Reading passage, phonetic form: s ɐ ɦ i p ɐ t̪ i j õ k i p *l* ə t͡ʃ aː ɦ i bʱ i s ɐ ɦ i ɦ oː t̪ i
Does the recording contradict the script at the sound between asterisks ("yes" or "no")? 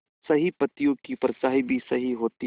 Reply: yes